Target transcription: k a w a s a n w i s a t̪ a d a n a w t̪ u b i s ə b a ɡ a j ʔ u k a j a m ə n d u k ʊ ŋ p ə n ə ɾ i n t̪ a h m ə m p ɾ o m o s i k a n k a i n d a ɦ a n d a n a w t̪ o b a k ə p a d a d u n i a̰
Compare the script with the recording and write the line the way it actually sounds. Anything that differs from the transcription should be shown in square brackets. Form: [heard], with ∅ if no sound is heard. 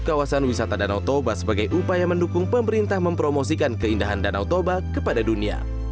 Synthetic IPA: k a w a s a n w i s a t̪ a d a n a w t̪ [o] b [a] s ə b a ɡ a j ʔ u [p] a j a m ə n d u k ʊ ŋ p ə [m] ə ɾ i n t̪ a h m ə m p ɾ o m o s i k a n k [ə] i n d a ɦ a n d a n a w t̪ o b a k ə p a d a d u n i a̰

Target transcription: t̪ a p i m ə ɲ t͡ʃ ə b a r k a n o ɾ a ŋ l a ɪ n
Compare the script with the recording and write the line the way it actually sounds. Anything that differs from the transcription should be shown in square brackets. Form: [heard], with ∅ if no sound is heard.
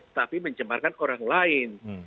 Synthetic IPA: t̪ a p i m ə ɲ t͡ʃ ə [m] a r k a n o ɾ a ŋ l a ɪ n

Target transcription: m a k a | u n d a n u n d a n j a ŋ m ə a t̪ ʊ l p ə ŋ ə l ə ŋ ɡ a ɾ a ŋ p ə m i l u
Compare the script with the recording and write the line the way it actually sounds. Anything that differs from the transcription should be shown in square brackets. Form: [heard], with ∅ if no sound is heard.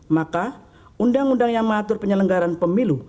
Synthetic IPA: m a k a | u n d a [ŋ] u n d a [ŋ] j a ŋ m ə a t̪ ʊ [r] p ə [ɲ] ə l ə ŋ ɡ a ɾ a [n] p ə m i l u

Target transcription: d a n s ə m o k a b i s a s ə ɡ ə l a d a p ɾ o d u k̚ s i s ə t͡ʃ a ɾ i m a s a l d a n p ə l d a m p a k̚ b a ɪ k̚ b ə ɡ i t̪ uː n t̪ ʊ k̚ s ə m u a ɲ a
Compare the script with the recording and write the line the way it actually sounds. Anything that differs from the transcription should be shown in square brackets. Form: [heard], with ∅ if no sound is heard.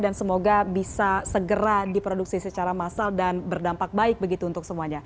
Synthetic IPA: d a n s ə m o [ɡ] a b i s a s ə ɡ ə [ɾ] a d [i] p ɾ o d u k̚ s i s ə t͡ʃ a ɾ [a] m a s a l d a n [b] ə [r] d a m p a k̚ b a ɪ k̚ b ə ɡ i t̪ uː n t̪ ʊ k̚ s ə m u a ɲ a

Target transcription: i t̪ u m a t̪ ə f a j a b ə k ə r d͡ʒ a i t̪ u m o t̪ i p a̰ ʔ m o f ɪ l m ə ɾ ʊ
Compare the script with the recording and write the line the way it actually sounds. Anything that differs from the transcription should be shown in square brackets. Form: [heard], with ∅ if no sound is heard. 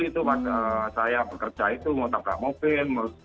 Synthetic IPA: i t̪ u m a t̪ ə [s] a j a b ə k ə r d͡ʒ a i t̪ u m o t̪ [a] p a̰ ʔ m o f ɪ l m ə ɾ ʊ

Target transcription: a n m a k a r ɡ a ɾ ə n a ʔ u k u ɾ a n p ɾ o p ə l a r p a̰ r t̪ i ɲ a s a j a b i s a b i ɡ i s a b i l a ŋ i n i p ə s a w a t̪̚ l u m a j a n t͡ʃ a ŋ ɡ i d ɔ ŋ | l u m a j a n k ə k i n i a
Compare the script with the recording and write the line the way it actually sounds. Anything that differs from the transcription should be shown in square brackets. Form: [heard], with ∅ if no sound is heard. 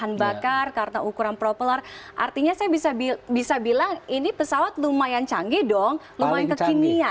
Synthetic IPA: a n [b] a k a r [k] a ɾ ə n a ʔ u k u ɾ a n p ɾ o p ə l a r [ʔ] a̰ r t̪ i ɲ a s a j a b i s a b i [b] i s a b i l a ŋ i n i p ə s a w a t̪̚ l u m a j a n t͡ʃ a ŋ ɡ i d ɔ ŋ | l u m a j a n k ə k i n i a

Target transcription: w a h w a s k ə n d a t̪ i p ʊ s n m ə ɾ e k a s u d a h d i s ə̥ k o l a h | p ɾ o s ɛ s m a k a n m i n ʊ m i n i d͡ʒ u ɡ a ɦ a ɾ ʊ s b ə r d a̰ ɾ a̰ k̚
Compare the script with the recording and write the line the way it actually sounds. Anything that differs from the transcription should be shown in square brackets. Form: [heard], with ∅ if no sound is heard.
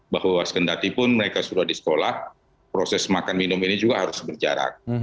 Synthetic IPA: [b] a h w a s k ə n d a t̪ i p ʊ [∅] n m ə ɾ e k a s u d a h d i s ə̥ k o l a h | p ɾ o s ɛ s m a k a n m i n ʊ m i n i d͡ʒ u ɡ a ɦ a ɾ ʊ s b ə r [d͡ʒ] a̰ ɾ a̰ k̚

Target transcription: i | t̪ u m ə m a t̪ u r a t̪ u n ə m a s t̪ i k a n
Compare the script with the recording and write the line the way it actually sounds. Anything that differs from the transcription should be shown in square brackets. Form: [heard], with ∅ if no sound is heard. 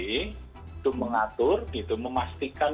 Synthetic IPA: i | t̪ u m ə [ŋ] a t̪ [ʊ] r [i] t̪ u [m] ə m a s t̪ i k a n

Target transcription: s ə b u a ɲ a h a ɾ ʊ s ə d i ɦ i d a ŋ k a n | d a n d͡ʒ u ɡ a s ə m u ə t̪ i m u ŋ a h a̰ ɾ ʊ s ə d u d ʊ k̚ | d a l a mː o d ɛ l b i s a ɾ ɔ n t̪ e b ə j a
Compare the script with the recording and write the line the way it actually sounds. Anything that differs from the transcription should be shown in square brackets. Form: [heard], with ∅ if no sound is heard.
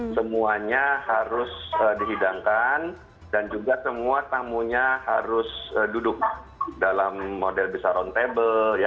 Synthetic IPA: s ə [m] u a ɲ a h a ɾ ʊ s ə d i ɦ i d a ŋ k a n | d a n d͡ʒ u ɡ a s ə m u [a] t̪ [a] m u [ɲ] a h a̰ ɾ ʊ s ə d u d ʊ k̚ | d a l a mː o d ɛ l b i s a ɾ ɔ n t̪ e b ə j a

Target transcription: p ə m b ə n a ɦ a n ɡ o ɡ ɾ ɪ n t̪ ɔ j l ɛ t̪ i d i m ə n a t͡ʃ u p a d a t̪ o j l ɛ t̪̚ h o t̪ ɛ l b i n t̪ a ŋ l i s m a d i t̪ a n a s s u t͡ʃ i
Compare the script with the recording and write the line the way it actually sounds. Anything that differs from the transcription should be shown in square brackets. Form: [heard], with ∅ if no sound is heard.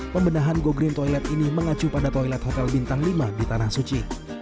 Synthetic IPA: p ə m b ə n a ɦ a n ɡ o ɡ ɾ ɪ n t̪ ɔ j l ɛ t̪ i [n] i m ə [ŋ] a t͡ʃ u p a d a t̪ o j l ɛ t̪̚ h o t̪ ɛ l b i n t̪ a ŋ l i [∅] m a d i t̪ a n a [h] s u t͡ʃ i

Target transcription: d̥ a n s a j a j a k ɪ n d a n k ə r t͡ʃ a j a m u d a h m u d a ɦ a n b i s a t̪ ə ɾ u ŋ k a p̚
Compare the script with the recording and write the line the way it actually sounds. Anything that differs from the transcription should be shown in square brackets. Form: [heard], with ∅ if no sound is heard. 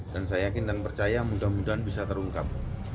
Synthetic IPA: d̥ a n s a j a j a k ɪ n d a n [p] ə r t͡ʃ a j a m u d a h m u d a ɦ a n b i s a t̪ ə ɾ u ŋ k a p̚

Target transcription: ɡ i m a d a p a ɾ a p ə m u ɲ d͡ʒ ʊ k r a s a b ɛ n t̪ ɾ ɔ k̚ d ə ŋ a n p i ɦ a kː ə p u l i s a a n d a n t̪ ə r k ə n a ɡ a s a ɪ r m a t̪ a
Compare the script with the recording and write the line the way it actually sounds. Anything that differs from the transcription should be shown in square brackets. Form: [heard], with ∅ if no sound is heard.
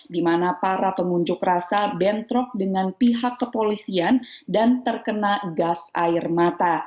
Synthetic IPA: [d] i m a [n] a p a ɾ a p ə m u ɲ d͡ʒ ʊ k r a s a b ɛ n t̪ ɾ ɔ k̚ d ə ŋ a n p i ɦ a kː ə p [o] l i s [i] a n d a n t̪ ə r k ə n a ɡ a s a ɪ r m a t̪ a

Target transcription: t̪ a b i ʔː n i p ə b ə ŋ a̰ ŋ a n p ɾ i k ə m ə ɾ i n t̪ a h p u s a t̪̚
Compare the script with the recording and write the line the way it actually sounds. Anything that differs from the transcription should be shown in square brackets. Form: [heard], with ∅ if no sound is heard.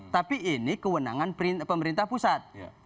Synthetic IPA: t̪ a [p] i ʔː n i [k] ə [w] ə [n] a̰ ŋ a n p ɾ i [p] ə m ə ɾ i n t̪ a h p u s a t̪̚

